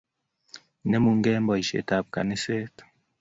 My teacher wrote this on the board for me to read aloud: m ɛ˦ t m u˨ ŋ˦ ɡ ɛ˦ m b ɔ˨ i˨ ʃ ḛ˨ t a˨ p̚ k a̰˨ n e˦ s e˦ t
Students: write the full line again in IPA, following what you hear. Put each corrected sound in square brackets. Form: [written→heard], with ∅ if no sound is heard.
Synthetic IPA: [m→n] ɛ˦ [t→∅] m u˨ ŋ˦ ɡ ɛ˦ m b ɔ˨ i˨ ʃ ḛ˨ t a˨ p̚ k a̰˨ n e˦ s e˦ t